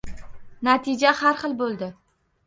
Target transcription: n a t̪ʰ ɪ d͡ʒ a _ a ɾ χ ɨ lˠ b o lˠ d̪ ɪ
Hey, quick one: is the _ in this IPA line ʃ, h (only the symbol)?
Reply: h